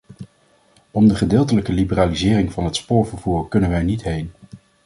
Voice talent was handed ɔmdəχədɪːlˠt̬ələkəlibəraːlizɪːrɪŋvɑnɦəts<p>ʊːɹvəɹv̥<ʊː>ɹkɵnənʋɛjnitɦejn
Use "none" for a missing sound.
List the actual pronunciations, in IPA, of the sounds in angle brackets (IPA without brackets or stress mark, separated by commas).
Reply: p, uː